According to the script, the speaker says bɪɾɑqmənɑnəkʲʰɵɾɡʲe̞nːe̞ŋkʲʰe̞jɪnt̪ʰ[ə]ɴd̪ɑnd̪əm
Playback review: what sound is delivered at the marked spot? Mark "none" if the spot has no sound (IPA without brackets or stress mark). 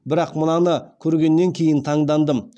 ɑ